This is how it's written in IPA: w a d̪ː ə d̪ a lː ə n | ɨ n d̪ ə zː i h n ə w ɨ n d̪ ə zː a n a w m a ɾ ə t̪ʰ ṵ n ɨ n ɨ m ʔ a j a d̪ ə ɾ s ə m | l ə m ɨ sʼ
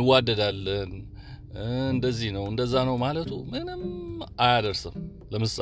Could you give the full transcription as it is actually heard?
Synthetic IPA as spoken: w a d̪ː ə d̪ a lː ə n | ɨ n d̪ ə zː i h n ə w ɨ n d̪ ə zː a n ə w m a l ə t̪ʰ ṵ m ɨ n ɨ m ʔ a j a d̪ ə ɾ s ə m | l ə m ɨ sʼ